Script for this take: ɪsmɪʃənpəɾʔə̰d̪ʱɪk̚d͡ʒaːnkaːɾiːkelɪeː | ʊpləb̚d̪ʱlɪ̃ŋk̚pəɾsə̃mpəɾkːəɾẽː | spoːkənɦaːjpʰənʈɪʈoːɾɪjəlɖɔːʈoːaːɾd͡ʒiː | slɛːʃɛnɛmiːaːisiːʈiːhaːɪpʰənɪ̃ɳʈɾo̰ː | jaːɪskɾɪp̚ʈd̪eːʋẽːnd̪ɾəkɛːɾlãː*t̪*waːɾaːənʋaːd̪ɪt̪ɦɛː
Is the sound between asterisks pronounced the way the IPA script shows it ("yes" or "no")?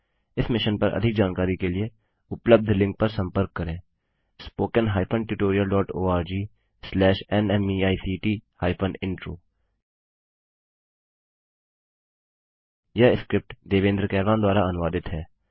no